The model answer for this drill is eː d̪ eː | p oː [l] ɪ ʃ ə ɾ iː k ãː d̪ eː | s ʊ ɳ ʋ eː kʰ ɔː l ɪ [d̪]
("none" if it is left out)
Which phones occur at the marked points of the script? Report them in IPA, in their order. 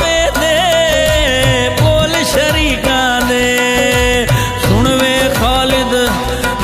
l, d̪

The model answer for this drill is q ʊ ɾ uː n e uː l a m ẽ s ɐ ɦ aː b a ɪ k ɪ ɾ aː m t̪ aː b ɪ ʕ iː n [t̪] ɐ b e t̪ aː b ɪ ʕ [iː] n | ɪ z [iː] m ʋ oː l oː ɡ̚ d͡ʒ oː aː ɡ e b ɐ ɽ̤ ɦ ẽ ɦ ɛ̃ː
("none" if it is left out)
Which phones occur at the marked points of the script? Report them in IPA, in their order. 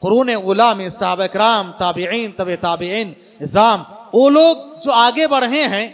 t̪, iː, aː

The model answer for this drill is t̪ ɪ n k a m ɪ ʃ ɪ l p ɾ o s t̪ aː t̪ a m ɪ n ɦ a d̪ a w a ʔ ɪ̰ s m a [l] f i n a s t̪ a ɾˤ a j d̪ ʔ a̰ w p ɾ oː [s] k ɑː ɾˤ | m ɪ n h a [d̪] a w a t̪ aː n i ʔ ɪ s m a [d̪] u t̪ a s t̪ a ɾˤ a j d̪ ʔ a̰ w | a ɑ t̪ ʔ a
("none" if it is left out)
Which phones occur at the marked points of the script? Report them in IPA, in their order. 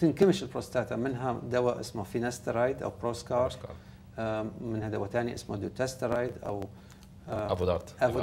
none, s, d̪, d̪

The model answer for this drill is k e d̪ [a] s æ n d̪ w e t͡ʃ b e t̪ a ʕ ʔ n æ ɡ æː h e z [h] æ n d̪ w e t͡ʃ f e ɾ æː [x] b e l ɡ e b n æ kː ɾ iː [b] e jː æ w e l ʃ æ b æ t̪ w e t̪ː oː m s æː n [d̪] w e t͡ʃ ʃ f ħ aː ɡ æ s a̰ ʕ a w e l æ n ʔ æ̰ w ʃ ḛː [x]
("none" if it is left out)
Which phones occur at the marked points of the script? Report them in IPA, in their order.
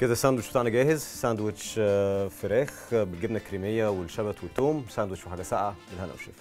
æ, s, x, m, d̪, f

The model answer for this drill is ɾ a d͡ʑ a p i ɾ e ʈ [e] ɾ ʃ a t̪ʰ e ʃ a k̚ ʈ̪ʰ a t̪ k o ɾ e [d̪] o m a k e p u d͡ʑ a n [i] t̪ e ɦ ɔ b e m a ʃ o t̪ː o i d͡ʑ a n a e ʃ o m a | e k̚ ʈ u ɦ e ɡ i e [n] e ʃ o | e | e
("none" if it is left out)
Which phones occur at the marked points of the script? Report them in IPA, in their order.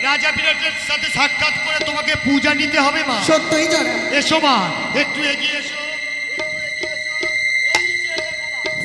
e, t̪, i, none

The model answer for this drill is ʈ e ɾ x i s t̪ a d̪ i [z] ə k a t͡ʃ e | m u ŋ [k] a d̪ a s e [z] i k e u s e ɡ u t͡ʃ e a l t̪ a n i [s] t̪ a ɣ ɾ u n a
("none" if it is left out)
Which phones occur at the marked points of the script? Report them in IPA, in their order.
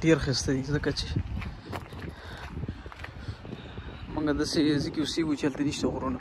z, ɡ, z, ʃ

